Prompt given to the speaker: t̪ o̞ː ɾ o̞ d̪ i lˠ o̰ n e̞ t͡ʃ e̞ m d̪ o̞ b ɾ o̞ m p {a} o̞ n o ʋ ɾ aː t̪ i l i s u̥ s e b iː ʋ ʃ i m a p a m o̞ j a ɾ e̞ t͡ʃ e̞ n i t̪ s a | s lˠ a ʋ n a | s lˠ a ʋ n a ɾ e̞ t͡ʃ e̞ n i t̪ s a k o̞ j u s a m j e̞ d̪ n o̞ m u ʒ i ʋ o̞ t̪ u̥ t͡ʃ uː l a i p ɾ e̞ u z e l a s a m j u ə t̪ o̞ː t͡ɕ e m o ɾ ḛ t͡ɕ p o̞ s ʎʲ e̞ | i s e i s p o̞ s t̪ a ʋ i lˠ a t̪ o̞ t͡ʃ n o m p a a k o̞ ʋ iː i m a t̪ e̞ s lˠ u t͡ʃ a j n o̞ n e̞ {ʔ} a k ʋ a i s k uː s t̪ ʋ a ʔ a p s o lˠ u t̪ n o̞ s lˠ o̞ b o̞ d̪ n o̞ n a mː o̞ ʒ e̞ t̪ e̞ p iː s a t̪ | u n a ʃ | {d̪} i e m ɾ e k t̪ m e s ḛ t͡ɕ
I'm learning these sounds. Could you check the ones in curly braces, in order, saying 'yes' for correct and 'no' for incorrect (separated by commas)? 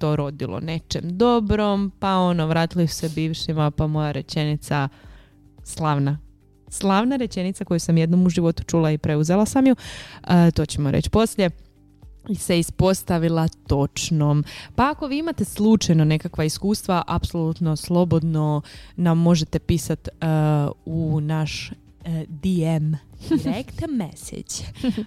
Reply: yes, no, yes